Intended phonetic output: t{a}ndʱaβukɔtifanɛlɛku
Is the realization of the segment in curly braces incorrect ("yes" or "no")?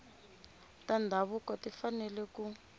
no